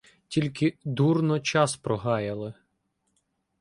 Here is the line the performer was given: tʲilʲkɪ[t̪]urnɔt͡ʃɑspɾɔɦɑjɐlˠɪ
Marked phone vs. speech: incorrect: d̪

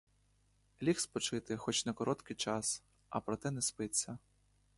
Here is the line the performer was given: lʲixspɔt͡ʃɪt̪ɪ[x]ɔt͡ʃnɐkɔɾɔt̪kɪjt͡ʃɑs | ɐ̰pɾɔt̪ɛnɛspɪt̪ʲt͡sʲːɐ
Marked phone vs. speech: correct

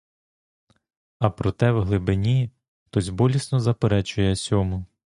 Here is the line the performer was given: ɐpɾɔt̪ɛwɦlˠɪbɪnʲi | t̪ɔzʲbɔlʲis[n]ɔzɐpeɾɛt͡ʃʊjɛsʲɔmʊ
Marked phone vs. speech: correct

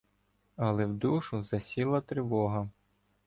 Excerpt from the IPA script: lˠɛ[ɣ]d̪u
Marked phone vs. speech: incorrect: w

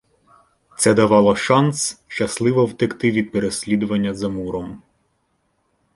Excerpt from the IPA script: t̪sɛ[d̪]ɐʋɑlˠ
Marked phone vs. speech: correct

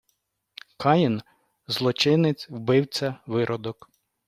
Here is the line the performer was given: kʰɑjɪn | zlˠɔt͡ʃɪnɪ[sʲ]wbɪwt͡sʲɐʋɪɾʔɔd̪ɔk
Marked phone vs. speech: incorrect: t͡sʲ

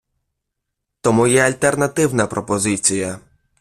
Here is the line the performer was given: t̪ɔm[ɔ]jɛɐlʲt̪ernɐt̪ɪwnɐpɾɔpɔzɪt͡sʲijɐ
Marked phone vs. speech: incorrect: u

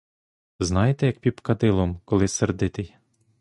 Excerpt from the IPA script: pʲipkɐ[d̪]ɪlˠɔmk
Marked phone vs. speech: correct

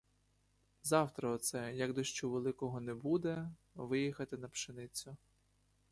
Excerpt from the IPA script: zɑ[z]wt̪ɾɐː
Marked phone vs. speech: incorrect: none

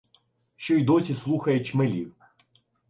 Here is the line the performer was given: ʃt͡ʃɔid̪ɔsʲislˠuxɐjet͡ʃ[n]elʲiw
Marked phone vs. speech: incorrect: m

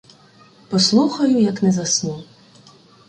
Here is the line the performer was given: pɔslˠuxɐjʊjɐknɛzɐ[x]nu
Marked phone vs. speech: incorrect: s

